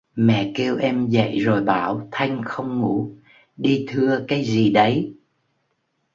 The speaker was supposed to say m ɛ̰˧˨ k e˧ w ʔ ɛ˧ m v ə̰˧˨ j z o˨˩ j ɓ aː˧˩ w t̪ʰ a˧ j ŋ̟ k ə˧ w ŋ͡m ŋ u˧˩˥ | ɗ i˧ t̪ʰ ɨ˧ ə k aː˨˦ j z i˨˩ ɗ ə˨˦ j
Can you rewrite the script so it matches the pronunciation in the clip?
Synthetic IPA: m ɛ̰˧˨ k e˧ w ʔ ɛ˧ m z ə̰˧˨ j z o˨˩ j ɓ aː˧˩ w t̪ʰ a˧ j ŋ̟ x ə˧ w ŋ͡m ŋ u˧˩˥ | ɗ i˧ t̪ʰ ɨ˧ ə k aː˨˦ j z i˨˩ ɗ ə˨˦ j

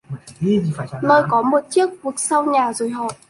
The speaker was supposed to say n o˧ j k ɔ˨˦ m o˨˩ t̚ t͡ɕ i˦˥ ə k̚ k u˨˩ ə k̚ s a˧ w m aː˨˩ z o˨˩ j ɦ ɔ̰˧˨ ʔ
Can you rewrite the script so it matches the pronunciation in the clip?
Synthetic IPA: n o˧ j k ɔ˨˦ m o˨˩ t̚ t͡ɕ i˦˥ ə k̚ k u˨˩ ə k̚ s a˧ w ɲ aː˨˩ z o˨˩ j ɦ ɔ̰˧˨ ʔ

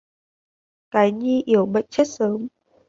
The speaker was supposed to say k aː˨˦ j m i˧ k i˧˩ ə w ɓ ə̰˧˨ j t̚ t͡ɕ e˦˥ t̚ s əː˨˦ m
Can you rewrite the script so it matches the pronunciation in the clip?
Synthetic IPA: k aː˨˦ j ɲ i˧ ʔ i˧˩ ə w ɓ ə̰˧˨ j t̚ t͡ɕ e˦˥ t̚ s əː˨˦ m

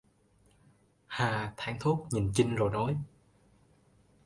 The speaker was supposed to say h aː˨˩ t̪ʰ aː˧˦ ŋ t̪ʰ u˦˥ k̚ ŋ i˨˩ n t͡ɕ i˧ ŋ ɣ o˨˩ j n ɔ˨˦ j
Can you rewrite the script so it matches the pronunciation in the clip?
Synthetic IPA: h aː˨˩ t̪ʰ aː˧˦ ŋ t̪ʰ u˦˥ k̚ ɲ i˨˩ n t͡ɕ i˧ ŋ z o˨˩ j n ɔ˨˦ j

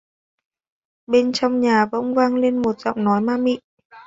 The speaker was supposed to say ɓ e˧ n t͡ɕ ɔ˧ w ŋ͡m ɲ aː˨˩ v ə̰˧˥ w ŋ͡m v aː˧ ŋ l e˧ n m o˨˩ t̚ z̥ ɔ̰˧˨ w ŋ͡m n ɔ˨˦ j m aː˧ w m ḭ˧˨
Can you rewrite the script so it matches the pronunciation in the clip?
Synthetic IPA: ɓ e˧ n t͡ɕ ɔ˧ w ŋ͡m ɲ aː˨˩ v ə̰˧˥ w ŋ͡m v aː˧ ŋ l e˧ n m o˨˩ t̚ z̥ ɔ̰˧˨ w ŋ͡m n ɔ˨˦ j m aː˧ m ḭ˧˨

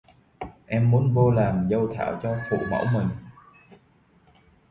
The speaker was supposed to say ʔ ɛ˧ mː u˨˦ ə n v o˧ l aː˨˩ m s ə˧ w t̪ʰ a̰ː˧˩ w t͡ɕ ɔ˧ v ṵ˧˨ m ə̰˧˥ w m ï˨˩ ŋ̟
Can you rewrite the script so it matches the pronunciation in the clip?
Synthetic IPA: ʔ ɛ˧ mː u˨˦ ə n v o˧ l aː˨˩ m z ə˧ w t̪ʰ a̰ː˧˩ w t͡ɕ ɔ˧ f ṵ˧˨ m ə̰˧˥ w m ï˨˩ ŋ̟

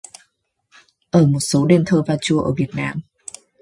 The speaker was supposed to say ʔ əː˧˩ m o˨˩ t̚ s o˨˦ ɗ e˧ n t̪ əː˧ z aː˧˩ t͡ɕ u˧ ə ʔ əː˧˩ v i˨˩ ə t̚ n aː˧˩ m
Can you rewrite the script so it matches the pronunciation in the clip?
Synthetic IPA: ʔ əː˧˩ m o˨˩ t̚ s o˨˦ ɗ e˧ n t̪ʰ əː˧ v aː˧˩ t͡ɕ u˧ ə ʔ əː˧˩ v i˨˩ ə t̚ n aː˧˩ m

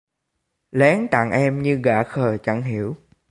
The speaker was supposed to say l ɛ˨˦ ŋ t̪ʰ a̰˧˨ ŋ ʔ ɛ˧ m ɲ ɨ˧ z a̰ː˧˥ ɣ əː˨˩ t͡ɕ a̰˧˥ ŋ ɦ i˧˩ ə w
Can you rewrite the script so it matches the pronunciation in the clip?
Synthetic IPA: l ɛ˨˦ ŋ t̪ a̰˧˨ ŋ ʔ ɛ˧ m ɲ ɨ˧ ɣ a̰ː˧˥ x əː˨˩ t͡ɕ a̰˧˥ ŋ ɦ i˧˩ ə w

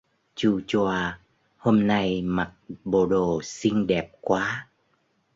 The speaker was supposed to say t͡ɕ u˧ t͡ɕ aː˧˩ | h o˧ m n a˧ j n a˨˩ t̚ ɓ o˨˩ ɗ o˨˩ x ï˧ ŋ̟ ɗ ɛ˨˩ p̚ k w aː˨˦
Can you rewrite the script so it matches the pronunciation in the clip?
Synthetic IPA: t͡ɕ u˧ t͡ɕ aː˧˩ | h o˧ m n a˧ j m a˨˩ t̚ ɓ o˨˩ ɗ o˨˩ s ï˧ ŋ̟ ɗ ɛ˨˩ p̚ k w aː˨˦

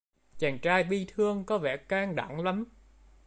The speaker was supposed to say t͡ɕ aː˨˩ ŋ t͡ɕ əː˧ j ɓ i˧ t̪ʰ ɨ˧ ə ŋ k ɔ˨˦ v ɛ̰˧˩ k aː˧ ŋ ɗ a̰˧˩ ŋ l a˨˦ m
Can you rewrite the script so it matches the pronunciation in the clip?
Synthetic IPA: t͡ɕ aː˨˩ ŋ t͡ɕ aː˧ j ɓ i˧ t̪ʰ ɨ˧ ə ŋ k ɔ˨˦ v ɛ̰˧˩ k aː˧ ŋ ɗ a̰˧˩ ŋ l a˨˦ m

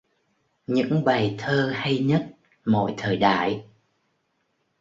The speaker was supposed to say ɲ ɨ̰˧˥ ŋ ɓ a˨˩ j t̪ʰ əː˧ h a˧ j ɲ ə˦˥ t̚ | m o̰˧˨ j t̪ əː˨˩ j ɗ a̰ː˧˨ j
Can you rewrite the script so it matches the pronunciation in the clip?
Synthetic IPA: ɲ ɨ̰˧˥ ŋ ɓ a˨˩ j t̪ʰ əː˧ h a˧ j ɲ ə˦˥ t̚ | m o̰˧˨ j t̪ʰ əː˨˩ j ɗ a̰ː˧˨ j

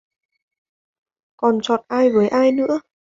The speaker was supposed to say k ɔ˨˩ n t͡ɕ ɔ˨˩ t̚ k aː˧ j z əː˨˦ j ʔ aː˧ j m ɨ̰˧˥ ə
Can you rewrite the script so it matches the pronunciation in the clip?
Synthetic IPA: k ɔ˨˩ n t͡ɕ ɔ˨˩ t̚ ʔ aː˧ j v əː˨˦ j ʔ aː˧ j n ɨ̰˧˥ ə

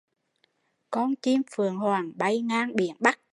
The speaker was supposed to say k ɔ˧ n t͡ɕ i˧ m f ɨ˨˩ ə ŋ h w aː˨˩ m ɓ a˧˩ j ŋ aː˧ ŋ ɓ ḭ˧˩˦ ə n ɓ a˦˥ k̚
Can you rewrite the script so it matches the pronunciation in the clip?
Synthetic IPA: k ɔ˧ n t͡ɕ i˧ m f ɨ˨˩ ə ŋ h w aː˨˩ ŋ ɓ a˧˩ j ŋ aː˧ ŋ ɓ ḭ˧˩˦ ə n ɓ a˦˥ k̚

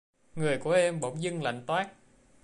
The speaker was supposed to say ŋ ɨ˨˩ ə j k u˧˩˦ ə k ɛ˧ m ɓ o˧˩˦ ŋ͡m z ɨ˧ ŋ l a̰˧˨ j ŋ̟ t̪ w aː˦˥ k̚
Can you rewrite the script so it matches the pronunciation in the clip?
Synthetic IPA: ŋ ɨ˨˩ ə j k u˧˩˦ ə ʔ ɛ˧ m ɓ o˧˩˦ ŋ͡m z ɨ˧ ŋ l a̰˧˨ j ŋ̟ t̪ w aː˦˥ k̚

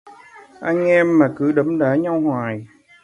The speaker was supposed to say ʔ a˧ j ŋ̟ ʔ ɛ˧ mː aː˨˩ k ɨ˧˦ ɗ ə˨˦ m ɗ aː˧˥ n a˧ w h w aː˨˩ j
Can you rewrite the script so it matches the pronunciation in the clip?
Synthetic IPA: ʔ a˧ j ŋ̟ ʔ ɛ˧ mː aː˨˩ k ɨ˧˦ ɗ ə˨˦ m ɗ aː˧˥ ɲ a˧ w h w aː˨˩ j

